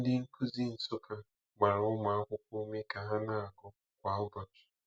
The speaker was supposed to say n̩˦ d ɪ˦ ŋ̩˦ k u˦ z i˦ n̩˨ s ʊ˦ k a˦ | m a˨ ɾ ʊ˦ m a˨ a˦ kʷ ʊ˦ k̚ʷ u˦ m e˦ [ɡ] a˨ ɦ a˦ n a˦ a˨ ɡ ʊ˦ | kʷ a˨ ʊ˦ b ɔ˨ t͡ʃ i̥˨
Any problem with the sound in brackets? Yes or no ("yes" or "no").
yes